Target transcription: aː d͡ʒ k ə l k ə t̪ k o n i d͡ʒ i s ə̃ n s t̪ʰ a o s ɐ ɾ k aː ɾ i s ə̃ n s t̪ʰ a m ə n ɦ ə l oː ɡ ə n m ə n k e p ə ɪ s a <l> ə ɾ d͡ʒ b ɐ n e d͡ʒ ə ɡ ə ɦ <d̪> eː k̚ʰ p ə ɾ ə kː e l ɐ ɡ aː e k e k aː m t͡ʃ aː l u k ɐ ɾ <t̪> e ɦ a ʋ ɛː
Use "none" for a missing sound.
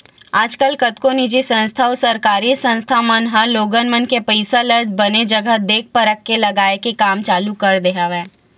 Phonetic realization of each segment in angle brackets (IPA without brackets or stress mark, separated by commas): l, d̪, d̪